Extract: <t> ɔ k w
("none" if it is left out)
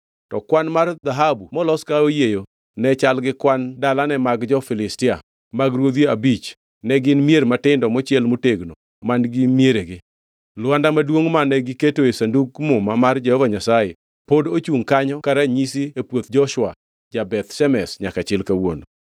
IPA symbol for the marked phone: t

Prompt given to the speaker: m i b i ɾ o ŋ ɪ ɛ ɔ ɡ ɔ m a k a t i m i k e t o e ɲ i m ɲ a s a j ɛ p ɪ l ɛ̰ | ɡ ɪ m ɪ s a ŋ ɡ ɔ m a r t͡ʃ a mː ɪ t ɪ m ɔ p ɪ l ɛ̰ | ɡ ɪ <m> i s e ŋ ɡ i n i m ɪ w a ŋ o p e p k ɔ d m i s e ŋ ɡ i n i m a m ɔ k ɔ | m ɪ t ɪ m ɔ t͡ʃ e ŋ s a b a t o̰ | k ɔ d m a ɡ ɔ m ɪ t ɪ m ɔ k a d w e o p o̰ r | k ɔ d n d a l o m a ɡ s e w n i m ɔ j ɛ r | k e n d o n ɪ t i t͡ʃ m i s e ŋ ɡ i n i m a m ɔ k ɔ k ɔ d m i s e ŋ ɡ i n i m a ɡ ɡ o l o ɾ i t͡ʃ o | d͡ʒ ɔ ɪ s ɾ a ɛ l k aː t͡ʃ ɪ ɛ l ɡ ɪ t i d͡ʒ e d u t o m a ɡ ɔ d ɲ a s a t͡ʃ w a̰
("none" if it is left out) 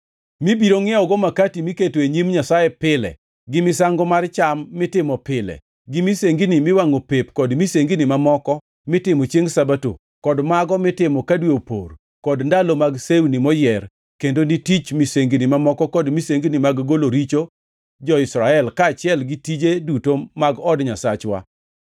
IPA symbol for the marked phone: m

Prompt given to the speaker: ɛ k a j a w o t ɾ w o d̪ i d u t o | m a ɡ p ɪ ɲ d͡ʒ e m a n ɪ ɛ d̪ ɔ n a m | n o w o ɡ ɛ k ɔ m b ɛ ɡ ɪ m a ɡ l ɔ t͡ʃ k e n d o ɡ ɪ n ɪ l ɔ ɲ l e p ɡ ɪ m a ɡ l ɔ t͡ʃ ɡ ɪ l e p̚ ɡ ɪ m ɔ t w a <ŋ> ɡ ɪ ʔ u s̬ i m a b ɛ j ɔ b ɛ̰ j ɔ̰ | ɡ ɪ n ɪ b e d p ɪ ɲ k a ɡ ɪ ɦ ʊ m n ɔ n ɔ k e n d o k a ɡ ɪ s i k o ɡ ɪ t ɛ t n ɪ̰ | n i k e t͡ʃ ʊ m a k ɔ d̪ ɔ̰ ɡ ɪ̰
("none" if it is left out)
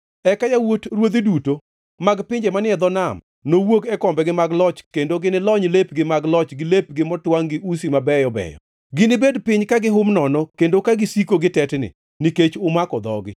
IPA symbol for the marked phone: ŋ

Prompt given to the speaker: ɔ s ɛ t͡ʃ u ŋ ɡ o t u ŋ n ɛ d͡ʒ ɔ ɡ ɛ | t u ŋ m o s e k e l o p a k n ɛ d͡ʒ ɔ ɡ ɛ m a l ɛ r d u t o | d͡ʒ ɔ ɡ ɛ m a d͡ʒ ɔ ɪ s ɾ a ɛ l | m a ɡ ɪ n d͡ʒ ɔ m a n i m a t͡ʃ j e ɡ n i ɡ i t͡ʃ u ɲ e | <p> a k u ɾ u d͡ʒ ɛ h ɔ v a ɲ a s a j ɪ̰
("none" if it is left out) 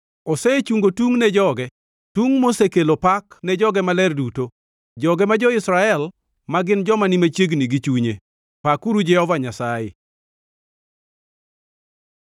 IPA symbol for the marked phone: p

